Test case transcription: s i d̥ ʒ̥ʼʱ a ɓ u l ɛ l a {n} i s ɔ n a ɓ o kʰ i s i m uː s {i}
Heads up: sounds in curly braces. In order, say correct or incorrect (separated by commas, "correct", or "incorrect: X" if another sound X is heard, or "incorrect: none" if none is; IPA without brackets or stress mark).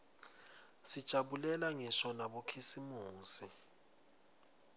incorrect: ŋ, correct